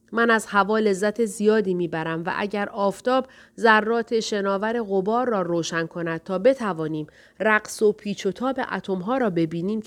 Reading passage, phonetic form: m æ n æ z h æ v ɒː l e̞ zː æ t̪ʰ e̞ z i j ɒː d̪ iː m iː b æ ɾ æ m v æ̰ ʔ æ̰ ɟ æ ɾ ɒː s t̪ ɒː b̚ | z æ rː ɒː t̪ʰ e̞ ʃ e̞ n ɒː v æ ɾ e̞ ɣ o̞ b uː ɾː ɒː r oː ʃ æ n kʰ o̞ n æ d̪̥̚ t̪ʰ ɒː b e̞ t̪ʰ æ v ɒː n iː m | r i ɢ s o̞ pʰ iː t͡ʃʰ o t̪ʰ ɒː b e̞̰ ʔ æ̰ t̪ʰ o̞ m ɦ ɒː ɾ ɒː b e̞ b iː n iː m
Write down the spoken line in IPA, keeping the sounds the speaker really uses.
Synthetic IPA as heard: m æ n æ z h æ v ɒː l e̞ zː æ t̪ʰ e̞ z i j ɒː d̪ iː m iː b æ ɾ æ m v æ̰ ʔ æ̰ ɟ æ ɾ ɒː f t̪ ɒː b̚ | z æ rː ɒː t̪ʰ e̞ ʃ e̞ n ɒː v æ ɾ e̞ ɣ o̞ b ɒː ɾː ɒː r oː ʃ æ n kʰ o̞ n æ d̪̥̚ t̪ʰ ɒː b e̞ t̪ʰ æ v ɒː n iː m | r æ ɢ s o̞ pʰ iː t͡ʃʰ o t̪ʰ ɒː b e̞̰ ʔ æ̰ t̪ʰ o̞ m ɦ ɒː ɾ ɒː b e̞ b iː n iː m